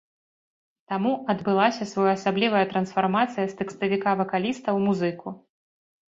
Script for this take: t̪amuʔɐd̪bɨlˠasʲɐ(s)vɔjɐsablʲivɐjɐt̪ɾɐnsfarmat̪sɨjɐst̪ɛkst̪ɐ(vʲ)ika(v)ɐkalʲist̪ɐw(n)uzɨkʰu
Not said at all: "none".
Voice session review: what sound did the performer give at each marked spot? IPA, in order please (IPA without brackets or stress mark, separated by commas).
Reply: s, vʲ, v, m